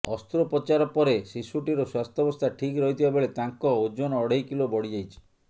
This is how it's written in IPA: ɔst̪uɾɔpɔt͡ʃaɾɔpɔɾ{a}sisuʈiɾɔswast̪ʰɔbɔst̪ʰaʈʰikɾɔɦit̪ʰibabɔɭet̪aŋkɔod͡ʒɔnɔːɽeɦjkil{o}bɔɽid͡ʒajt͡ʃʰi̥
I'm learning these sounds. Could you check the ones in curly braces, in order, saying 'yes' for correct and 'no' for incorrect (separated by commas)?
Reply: no, yes